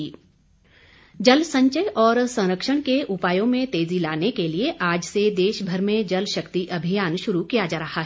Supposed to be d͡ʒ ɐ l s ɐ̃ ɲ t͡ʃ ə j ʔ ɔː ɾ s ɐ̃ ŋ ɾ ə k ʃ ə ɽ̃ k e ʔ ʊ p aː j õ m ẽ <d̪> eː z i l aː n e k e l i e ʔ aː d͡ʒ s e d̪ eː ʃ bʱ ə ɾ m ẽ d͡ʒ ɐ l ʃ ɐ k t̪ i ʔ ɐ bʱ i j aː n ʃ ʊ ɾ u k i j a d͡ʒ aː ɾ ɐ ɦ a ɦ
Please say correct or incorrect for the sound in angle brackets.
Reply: incorrect